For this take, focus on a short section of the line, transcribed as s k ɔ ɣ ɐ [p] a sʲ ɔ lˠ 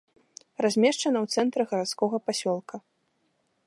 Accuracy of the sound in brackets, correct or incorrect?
correct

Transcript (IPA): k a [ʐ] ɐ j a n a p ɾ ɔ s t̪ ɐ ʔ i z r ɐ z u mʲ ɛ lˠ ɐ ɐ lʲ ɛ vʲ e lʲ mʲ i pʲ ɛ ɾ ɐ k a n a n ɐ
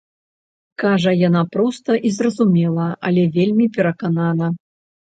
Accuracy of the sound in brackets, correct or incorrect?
correct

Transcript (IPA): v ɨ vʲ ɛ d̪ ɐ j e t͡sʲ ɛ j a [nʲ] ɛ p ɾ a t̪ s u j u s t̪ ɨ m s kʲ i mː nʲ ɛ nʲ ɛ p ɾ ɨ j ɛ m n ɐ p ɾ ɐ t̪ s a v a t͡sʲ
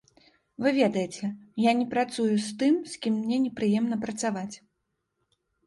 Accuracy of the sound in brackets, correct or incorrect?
correct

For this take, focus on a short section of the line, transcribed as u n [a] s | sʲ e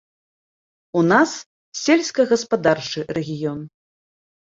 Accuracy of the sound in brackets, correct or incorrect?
correct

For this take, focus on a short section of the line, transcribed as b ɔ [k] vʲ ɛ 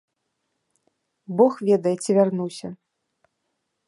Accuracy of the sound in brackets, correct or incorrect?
incorrect: x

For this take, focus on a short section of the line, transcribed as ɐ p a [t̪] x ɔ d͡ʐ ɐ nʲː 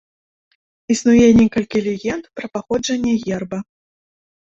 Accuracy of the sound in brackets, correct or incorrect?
incorrect: none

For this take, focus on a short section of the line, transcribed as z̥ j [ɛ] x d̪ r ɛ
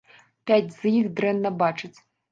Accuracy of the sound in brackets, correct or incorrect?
incorrect: i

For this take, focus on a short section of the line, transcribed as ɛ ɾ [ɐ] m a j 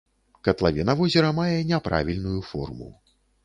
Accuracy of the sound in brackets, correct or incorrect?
correct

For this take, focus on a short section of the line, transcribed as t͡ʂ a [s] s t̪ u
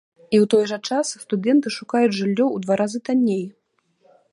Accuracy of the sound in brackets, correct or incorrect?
correct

